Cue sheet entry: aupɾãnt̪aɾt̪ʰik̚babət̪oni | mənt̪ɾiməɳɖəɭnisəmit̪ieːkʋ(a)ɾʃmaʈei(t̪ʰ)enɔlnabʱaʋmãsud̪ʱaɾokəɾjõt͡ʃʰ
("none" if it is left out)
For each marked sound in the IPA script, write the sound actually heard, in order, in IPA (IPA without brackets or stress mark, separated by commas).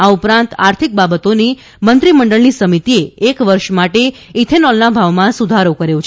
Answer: ə, t̪ʰ